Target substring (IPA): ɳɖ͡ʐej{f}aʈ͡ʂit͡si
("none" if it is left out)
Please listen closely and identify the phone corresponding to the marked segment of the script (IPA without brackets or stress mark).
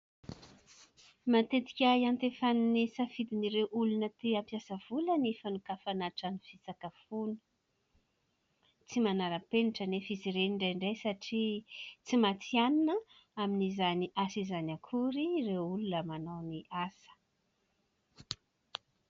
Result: s